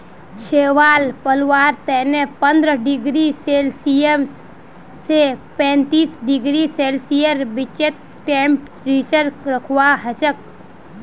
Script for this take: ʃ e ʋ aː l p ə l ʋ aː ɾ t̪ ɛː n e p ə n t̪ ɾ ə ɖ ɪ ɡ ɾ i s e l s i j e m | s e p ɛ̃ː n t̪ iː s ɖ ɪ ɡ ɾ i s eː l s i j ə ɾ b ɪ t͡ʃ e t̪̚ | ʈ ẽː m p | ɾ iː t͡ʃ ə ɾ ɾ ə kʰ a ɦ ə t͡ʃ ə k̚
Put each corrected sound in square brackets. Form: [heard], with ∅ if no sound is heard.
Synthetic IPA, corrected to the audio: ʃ e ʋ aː l p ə l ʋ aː ɾ t̪ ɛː n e p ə n [d̪] ɾ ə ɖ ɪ ɡ ɾ i s e l s i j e m | s e p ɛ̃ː n t̪ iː s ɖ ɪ ɡ ɾ i s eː l s i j ə ɾ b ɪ t͡ʃ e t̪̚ | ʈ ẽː m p | ɾ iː t͡ʃ ə ɾ ɾ ə kʰ a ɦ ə t͡ʃ ə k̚